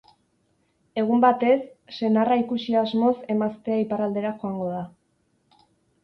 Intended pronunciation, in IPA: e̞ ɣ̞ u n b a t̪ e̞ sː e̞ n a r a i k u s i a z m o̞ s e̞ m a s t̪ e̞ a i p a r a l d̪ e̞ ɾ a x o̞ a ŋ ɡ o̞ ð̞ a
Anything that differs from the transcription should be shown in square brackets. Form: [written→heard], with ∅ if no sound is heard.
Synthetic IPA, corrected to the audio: e̞ ɣ̞ u [n→m] b a t̪ e̞ sː e̞ n a r a i k u s i a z m o̞ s e̞ m a s t̪ e̞ a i p a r a l d̪ e̞ ɾ a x o̞ a ŋ ɡ o̞ ð̞ a